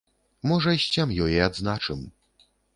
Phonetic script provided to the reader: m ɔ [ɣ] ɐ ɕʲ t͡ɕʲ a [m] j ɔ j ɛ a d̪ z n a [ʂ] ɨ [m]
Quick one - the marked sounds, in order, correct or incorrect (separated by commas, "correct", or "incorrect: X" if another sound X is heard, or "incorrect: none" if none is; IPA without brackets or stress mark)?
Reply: incorrect: ʐ, correct, incorrect: t͡ʂ, correct